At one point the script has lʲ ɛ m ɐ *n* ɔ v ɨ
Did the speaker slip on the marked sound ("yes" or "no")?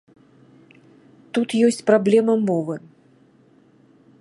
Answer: yes